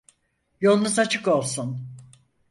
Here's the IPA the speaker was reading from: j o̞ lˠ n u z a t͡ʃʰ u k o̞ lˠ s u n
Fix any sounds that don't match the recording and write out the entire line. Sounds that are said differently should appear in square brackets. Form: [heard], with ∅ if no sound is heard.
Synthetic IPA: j o̞ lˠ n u z a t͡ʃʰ [ɯ] k o̞ lˠ s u n